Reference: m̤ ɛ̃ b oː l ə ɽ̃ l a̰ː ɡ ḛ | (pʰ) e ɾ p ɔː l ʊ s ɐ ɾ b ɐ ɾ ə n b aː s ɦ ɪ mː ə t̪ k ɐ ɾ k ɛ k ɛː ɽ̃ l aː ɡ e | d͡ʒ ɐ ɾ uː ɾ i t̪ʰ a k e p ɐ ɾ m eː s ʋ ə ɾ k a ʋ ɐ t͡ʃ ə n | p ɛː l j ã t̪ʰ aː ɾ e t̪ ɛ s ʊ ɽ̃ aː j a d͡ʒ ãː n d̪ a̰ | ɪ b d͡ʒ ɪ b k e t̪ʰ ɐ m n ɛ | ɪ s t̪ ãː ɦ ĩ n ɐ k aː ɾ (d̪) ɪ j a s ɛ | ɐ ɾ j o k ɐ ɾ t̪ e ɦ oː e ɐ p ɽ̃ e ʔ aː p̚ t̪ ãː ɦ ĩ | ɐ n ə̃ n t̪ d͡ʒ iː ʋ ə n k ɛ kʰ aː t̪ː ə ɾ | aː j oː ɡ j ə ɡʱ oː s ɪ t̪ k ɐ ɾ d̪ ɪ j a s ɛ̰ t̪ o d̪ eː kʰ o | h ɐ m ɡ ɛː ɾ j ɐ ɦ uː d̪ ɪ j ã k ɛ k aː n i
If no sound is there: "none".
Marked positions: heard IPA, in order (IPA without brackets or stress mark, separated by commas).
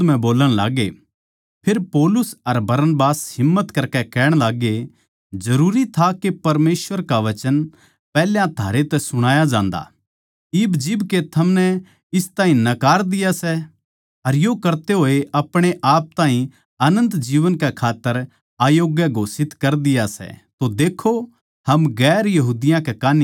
pʰ, d̪